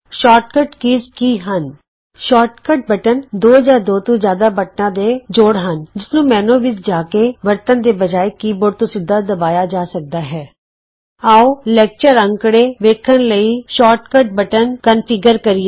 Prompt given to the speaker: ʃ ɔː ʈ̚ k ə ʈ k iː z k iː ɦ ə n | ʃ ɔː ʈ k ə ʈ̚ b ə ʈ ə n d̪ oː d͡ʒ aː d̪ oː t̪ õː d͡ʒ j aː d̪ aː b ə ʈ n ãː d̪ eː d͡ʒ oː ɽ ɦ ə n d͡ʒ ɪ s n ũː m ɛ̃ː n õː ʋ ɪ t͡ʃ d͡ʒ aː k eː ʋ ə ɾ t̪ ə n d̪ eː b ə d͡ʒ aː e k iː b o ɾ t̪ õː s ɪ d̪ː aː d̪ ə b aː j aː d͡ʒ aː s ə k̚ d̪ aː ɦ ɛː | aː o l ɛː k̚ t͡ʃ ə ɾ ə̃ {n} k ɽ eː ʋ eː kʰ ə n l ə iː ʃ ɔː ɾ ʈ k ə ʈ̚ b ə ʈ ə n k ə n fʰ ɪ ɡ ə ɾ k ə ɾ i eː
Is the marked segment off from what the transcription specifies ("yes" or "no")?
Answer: yes